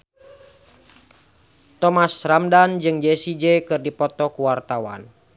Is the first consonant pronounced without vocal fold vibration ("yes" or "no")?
yes